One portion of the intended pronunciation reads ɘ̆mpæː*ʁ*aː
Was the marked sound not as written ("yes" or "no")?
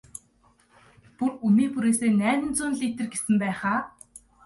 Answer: yes